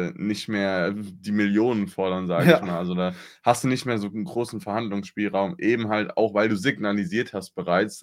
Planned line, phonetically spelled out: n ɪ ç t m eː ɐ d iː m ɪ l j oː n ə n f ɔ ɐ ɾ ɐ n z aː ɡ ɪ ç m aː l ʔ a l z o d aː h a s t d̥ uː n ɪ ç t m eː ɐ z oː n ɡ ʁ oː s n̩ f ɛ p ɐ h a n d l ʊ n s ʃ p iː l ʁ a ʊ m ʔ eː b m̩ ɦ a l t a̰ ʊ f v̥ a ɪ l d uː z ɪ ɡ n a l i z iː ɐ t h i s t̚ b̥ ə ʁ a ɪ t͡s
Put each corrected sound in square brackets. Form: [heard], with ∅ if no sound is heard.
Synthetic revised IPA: n ɪ ç t m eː ɐ d iː m ɪ l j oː n ə n f ɔ ɐ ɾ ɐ n z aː ɡ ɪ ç m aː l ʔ a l z o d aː h a s t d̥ uː n ɪ ç t m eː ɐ z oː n ɡ ʁ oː s n̩ f ɛ [∅] ɐ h a n d l ʊ [ŋ] s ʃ p iː l ʁ a ʊ m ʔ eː b m̩ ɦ a l t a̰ ʊ [x] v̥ a ɪ l d uː z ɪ ɡ n a l i z iː ɐ t h [a] s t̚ b̥ ə ʁ a ɪ t͡s